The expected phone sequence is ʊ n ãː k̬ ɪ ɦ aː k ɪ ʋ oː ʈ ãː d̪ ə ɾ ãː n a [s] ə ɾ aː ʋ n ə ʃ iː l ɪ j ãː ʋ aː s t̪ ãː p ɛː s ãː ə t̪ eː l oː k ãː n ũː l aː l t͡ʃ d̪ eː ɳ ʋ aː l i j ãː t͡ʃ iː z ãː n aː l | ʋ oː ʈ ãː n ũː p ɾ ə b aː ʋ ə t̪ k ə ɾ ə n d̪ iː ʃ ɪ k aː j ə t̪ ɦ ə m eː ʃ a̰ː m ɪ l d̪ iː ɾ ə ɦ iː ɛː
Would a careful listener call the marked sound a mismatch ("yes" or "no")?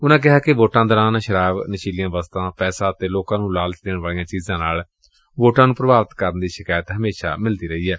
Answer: yes